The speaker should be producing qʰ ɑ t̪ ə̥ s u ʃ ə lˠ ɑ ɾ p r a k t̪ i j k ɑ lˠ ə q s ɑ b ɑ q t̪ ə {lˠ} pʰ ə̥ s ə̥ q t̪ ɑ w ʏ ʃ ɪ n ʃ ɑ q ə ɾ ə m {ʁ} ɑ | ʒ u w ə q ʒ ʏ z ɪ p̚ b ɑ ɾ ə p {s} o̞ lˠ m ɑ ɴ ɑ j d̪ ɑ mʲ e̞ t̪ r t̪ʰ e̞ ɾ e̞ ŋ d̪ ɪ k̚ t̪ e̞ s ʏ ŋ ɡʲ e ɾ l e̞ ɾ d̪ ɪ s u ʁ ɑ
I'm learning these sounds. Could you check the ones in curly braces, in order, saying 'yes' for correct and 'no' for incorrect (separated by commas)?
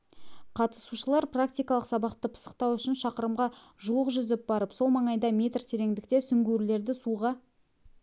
no, yes, yes